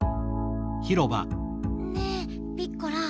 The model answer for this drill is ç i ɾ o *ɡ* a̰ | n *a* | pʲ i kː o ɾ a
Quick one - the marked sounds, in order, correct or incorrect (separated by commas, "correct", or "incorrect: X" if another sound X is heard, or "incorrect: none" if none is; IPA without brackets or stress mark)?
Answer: incorrect: b, incorrect: e